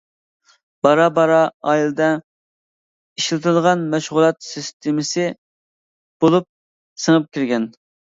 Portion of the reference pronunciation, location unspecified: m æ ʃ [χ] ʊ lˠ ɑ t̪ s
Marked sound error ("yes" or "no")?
yes